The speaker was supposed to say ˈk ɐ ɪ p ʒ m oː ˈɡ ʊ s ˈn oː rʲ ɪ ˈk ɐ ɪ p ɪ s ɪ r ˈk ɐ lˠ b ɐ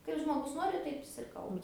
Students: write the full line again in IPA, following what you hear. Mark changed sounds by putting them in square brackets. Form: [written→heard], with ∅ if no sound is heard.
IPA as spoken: ˈk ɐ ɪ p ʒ m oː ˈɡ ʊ s ˈn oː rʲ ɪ [ˈk→ˈt] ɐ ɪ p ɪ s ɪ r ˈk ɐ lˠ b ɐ